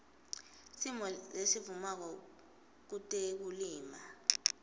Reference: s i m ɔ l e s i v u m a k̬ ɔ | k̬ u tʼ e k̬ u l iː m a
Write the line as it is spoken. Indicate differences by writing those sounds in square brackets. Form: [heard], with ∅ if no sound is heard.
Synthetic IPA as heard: s i m ɔ l e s i v u m a k̬ ɔ | k̬ u tʼ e k̬ u l iː m a